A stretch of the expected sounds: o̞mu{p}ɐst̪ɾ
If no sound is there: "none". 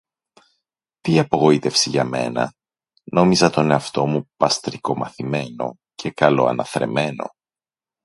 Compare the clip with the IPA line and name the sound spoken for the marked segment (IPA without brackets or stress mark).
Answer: p